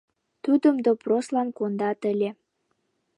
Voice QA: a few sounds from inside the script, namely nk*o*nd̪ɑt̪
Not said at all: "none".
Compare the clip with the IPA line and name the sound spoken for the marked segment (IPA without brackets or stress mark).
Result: o